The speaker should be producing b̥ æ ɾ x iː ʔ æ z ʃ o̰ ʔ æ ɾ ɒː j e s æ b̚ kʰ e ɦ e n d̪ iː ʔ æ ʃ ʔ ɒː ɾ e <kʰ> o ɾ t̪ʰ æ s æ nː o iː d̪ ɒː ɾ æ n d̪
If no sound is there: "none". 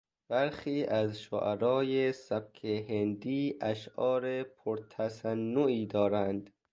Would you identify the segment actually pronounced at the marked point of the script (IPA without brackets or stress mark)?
pʰ